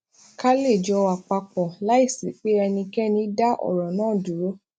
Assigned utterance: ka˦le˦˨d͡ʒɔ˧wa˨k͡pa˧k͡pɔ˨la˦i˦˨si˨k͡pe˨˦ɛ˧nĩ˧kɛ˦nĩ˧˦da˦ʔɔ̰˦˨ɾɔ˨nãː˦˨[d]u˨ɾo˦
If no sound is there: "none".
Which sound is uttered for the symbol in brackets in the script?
d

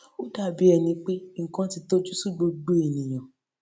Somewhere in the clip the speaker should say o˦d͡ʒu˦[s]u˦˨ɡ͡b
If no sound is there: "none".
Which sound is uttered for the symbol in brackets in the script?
s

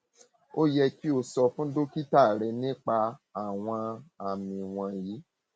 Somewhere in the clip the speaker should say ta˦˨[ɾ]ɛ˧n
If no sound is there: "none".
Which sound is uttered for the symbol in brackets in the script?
ɾ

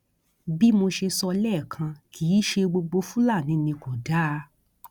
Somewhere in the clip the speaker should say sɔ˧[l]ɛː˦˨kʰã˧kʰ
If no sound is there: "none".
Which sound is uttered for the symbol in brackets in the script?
l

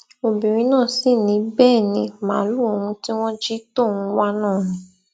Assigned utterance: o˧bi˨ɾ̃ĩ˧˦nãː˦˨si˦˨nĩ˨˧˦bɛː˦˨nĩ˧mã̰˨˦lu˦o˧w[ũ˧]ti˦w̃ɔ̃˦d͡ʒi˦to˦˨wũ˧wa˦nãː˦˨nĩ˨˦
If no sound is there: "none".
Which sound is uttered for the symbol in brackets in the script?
ũ˧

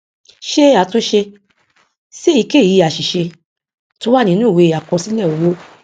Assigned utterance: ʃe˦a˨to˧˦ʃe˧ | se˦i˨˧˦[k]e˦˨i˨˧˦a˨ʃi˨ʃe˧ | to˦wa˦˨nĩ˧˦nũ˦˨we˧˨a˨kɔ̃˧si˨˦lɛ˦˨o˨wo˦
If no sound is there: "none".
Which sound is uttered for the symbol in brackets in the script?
k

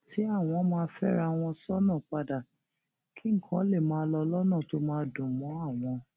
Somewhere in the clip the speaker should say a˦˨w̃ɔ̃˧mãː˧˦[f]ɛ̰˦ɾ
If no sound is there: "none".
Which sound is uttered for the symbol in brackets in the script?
f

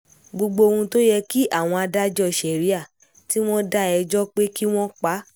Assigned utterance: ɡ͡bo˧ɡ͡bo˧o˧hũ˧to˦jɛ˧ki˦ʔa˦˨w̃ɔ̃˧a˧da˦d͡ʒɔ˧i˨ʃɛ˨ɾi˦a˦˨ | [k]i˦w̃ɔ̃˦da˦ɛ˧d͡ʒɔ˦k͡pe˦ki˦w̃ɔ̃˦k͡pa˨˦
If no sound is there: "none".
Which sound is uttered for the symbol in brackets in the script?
t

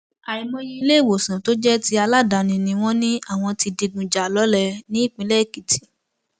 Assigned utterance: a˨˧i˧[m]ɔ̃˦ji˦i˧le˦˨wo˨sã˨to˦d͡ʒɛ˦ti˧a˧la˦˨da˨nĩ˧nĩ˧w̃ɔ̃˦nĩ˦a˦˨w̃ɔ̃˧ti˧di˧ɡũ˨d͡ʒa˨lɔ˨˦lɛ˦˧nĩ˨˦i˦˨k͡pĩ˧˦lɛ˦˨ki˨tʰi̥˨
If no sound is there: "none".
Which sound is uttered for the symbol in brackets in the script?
m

